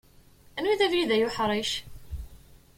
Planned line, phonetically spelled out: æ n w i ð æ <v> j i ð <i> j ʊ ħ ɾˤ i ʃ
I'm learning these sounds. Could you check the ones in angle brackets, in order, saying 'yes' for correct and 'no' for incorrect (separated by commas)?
yes, no